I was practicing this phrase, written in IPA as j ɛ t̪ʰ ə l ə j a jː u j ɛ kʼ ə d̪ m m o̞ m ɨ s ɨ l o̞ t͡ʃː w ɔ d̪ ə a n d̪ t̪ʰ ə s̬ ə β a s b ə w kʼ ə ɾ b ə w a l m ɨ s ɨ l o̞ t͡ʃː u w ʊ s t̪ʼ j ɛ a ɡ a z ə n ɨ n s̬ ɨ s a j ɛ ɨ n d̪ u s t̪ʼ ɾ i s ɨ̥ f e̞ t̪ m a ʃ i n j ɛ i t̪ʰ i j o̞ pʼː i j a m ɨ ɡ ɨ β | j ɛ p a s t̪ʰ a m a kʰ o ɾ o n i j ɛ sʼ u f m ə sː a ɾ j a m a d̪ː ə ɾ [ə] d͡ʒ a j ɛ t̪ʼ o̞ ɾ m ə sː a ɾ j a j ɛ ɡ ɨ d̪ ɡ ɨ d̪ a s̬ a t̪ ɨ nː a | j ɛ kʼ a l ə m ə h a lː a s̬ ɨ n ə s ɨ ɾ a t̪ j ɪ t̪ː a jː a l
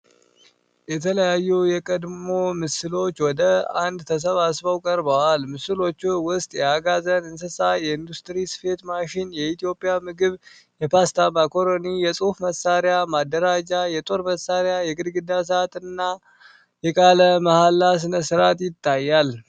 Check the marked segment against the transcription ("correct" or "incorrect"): incorrect